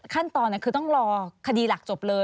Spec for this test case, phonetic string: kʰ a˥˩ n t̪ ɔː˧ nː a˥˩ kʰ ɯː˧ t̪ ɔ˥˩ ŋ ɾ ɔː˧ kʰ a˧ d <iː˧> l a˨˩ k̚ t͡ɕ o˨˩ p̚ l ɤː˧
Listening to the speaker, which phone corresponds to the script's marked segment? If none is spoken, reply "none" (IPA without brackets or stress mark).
iː˧